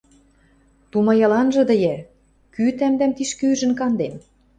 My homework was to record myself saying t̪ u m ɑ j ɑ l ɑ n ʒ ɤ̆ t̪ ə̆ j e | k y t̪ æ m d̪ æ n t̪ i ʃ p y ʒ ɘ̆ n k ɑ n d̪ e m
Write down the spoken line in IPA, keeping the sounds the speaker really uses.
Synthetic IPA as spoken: t̪ u m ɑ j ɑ l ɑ n ʒ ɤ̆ d̪ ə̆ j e | k y t̪ æ m d̪ æ m t̪ i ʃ k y ʒ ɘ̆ n k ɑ n d̪ e m

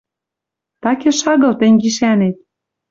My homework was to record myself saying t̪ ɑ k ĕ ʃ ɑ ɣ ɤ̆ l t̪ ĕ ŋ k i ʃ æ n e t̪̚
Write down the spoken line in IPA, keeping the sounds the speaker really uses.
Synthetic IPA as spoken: t̪ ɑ k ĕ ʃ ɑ ɣ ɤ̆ l t̪ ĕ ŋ ɡ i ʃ æ n e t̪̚

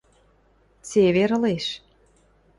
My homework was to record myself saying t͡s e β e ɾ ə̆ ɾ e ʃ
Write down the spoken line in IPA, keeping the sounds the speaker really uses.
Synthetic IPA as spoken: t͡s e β e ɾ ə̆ l e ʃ

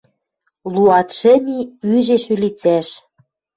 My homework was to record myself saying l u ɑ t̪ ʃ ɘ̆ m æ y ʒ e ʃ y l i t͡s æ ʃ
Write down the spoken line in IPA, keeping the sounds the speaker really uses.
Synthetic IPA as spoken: l u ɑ t̪ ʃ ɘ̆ m i y ʒ e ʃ y l i t͡s æ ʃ

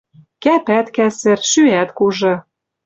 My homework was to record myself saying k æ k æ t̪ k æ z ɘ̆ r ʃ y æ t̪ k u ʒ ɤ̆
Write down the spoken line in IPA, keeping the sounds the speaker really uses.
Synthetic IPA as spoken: k æ p æ t̪ k æ s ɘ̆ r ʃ y æ t̪ k u ʒ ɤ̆

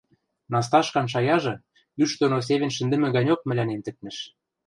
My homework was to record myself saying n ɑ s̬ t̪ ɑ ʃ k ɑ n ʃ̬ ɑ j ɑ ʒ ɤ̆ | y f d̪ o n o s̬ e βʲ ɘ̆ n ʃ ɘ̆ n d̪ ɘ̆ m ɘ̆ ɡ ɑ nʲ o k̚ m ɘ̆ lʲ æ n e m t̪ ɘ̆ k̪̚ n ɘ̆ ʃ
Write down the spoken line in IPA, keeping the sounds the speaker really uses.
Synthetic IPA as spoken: n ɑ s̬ t̪ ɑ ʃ k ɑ n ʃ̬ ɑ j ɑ ʒ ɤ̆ | y ʃ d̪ o n o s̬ e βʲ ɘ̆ n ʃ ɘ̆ n d̪ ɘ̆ m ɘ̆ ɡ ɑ nʲ o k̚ m ɘ̆ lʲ æ n e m t̪ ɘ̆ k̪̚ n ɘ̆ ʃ

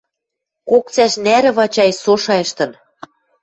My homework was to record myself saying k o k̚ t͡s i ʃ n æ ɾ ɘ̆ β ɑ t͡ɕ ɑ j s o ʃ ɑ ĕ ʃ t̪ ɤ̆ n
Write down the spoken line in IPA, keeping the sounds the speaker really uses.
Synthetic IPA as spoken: k o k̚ t͡s æ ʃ n æ ɾ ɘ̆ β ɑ t͡ɕ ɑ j s o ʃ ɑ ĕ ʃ t̪ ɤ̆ n

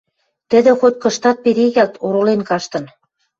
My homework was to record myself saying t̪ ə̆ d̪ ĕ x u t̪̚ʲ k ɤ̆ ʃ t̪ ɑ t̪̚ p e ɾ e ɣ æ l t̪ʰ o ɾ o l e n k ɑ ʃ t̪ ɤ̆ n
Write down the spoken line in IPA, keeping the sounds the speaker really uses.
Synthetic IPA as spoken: t̪ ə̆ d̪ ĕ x o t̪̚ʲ k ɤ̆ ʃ t̪ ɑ t̪̚ p e ɾ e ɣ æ l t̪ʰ o ɾ o l e n k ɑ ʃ t̪ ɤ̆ n

